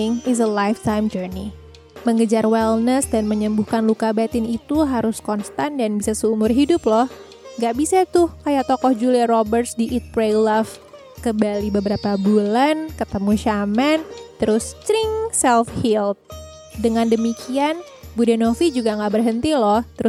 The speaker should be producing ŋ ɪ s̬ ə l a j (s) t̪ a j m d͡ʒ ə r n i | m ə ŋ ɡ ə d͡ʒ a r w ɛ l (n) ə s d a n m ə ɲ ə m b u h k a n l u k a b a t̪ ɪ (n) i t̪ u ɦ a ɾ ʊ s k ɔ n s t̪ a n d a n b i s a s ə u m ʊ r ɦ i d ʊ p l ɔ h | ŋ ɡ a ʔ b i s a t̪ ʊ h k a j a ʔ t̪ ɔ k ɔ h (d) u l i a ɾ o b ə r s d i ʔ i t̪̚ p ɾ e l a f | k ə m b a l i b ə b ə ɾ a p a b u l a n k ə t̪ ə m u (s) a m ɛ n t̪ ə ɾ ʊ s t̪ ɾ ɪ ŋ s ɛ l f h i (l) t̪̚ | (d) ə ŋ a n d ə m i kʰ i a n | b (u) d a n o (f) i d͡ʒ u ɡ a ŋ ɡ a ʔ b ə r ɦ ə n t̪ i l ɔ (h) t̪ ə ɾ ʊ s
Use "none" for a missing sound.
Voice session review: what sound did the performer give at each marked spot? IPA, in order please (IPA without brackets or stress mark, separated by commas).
f, n, n, d͡ʒ, ʃ, l, d, u, f, h